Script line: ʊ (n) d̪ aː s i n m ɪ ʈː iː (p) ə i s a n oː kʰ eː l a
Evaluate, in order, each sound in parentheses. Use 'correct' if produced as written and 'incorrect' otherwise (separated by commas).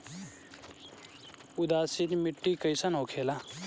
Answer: incorrect, incorrect